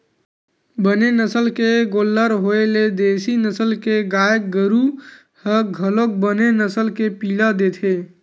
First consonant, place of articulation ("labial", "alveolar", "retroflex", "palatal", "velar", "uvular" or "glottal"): labial